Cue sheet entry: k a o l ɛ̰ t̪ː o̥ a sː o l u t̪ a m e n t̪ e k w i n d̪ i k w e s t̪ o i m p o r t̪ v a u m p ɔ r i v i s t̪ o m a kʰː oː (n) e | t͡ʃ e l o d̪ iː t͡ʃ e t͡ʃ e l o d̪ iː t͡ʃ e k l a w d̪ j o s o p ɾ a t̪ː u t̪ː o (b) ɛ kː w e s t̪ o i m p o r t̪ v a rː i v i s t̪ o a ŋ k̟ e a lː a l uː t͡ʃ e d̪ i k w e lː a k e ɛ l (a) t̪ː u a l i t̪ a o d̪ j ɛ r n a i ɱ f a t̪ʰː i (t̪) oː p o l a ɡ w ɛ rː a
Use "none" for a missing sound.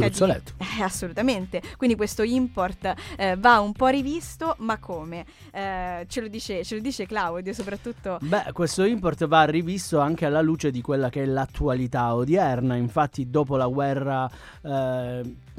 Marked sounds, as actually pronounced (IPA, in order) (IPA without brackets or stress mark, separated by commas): m, b, a, d̪